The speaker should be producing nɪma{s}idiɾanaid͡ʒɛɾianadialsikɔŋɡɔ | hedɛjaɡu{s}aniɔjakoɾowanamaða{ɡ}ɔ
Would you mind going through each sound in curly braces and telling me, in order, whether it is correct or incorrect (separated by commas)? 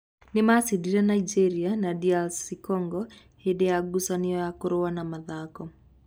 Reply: correct, correct, incorrect